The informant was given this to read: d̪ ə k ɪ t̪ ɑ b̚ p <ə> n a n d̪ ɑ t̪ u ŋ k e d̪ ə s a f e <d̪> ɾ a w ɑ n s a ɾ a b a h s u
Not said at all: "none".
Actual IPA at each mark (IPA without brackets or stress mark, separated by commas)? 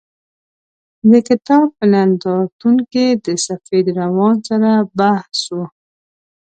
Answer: ə, d̪